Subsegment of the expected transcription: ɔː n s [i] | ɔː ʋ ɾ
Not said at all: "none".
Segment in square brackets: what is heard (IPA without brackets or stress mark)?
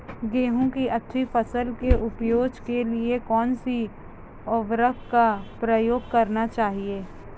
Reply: i